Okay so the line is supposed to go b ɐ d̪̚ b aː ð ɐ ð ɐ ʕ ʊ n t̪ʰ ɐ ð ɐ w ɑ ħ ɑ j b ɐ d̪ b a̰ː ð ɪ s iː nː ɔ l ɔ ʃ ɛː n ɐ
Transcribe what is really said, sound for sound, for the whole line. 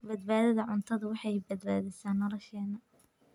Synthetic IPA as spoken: b ɐ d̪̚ b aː ð ɐ ð ɐ ʕ ʊ n t̪ʰ ɐ ð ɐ w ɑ ħ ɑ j b ɐ d̪ b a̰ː ð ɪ s aː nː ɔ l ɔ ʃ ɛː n ɐ